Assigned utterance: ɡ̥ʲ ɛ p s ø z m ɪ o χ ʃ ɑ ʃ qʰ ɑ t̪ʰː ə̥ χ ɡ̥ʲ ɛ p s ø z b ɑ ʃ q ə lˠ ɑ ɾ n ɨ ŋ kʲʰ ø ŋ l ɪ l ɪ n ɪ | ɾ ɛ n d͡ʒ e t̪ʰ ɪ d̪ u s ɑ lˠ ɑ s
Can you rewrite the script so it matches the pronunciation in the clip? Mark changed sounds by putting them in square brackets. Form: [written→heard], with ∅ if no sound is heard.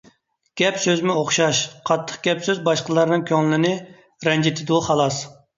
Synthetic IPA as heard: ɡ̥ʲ ɛ p s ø z m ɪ o χ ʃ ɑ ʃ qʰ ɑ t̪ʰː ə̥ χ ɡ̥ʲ ɛ p s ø z b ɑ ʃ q ə lˠ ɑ ɾ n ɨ ŋ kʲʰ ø ŋ l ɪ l ɪ n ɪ | ɾ ɛ n d͡ʒ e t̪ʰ ɪ d̪ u [s→χ] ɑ lˠ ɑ s